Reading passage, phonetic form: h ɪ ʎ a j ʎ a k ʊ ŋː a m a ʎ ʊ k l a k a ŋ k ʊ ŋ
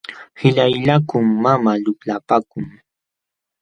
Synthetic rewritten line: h ɪ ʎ a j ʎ a k ʊ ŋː a m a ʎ ʊ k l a p a k ʊ ŋ

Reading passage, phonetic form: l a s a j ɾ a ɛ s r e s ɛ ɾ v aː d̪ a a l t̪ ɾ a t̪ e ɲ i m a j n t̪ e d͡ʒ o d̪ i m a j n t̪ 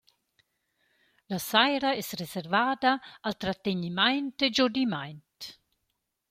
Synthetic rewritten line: l a s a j ɾ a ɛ s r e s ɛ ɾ v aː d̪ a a l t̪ ɾ a t̪ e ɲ i m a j n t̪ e d͡ʒ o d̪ i m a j n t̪

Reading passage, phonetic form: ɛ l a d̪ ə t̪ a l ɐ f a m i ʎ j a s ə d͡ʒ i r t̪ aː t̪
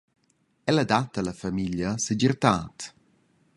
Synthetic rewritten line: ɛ l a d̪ a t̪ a l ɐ f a m i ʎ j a s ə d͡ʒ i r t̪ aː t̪

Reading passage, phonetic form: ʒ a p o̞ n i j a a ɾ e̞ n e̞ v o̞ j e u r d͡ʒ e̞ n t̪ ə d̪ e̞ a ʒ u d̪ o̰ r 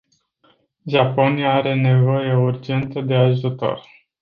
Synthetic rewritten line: ʒ a p o̞ n i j a a ɾ e̞ n e̞ v o̞ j e u r d͡ʒ e̞ n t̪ ə d̪ e̞ a ʒ u t̪ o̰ r

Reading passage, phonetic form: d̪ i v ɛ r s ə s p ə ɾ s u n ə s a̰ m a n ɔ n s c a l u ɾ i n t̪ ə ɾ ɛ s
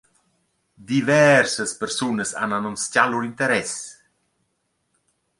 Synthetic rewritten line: d̪ i v ɛ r s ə s p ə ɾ s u n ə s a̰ n a n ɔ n s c a l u ɾ i n t̪ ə ɾ ɛ s

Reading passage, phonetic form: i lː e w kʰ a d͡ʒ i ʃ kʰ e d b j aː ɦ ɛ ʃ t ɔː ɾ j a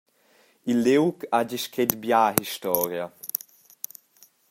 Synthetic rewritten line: i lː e w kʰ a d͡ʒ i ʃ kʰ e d b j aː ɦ i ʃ t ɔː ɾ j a

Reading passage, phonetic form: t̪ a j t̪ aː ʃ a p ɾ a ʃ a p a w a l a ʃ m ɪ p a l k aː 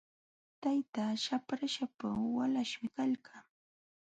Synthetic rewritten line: t̪ a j t̪ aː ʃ a p ɾ a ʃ a p a w a l a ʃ m ɪ k a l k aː

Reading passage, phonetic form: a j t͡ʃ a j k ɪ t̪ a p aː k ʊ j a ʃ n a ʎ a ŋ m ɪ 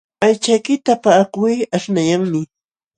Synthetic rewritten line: a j t͡ʃ a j k ɪ t̪ a p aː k ʊ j a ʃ n a j a ŋ m ɪ

